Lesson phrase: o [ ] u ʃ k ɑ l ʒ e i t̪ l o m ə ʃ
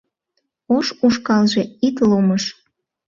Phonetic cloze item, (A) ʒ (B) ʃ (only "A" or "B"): B